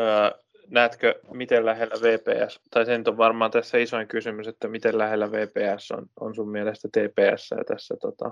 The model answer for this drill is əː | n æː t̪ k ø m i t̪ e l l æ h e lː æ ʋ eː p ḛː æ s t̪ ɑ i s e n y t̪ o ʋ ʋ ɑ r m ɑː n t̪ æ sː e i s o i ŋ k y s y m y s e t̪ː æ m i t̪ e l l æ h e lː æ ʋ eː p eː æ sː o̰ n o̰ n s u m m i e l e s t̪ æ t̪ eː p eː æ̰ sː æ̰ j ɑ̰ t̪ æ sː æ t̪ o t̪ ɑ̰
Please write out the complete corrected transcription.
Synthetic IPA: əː | n æː t̪ k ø m i t̪ e l l æ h e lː æ ʋ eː p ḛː æ s t̪ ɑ i s e n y t̪ o ʋ ʋ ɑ r m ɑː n t̪ æ sː æ i s o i ŋ k y s y m y s e t̪ː æ m i t̪ e l l æ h e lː æ ʋ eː p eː æ sː o̰ n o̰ n s u m m i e l e s t̪ æ t̪ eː p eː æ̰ sː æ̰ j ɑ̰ t̪ æ sː æ t̪ o t̪ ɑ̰